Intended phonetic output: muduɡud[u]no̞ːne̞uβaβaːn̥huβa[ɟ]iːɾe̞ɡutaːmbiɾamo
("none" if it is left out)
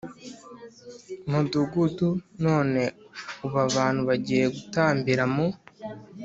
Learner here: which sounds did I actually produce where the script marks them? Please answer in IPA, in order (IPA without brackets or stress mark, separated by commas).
u, ɟ